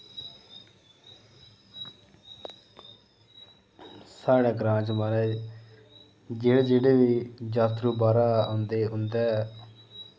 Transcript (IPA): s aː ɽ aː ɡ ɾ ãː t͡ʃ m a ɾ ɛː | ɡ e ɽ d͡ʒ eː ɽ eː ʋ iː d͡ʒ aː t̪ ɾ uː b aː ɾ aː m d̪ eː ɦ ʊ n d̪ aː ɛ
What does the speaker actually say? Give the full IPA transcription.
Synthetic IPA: s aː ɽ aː ɡ ɾ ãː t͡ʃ m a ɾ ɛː | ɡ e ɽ d͡ʒ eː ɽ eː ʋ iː d͡ʒ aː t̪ ɾ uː b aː ɾ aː n d̪ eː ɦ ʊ n d̪ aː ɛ